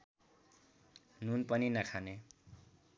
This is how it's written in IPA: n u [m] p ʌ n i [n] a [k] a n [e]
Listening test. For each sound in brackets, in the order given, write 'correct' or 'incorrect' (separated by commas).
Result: incorrect, correct, incorrect, correct